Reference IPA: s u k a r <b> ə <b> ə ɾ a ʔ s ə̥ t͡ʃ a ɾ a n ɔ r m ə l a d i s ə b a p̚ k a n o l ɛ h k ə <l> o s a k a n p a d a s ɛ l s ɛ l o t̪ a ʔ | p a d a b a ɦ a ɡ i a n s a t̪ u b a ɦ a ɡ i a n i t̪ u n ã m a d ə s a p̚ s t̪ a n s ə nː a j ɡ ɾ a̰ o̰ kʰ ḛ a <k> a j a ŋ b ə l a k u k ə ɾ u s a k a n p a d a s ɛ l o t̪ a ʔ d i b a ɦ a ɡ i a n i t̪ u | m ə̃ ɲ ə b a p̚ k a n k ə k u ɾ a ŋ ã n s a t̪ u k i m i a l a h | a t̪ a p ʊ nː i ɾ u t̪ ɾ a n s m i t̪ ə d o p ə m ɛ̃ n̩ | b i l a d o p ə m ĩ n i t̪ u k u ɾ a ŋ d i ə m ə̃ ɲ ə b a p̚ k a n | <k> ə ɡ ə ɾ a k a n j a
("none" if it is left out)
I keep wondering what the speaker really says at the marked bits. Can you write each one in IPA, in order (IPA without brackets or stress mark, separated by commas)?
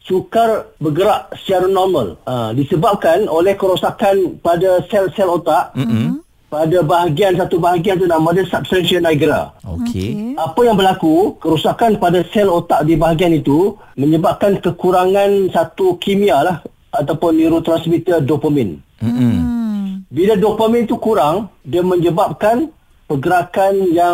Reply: b, ɡ, ɾ, p, p